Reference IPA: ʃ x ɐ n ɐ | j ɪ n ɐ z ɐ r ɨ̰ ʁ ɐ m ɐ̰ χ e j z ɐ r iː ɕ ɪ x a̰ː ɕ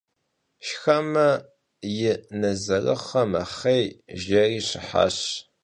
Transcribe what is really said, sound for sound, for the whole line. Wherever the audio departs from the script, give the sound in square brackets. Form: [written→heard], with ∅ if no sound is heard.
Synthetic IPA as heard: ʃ x ɐ [n→m] ɐ | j ɪ n ɐ z ɐ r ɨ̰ [ʁ→χ] ɐ m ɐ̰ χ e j [z→ʒ] ɐ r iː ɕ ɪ [x→ħ] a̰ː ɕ